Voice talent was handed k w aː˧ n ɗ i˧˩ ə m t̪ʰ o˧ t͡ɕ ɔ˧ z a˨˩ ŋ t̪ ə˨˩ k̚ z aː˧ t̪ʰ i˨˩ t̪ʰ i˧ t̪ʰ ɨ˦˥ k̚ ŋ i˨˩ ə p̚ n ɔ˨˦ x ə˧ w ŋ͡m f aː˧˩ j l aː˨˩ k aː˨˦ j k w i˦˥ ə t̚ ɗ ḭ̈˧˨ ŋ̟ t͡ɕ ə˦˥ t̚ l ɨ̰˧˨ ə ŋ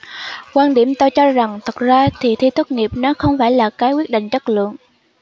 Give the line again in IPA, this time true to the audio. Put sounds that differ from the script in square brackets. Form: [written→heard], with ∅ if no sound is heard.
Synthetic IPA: k w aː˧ n ɗ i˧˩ ə m [t̪ʰ→t̪] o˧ t͡ɕ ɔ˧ z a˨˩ ŋ [t̪→t̪ʰ] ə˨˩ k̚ z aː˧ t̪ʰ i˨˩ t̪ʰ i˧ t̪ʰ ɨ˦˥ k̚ ŋ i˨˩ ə p̚ n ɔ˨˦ x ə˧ w ŋ͡m f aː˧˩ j l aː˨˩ k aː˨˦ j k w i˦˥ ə t̚ ɗ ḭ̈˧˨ ŋ̟ t͡ɕ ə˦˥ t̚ l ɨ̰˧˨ ə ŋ